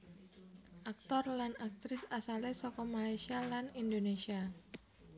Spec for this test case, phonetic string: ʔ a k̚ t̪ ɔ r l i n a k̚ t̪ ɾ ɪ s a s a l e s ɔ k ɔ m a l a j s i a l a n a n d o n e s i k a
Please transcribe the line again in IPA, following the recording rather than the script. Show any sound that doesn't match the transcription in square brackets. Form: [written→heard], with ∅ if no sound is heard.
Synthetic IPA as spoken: ʔ a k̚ t̪ ɔ r l [i→a] n a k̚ t̪ ɾ ɪ s a s a l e s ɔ k ɔ m a l a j s i a l a n [a→i] n d o n e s i [k→∅] a